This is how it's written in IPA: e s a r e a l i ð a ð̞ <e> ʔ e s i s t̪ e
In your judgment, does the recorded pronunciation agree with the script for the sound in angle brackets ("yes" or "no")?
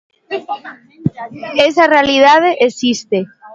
yes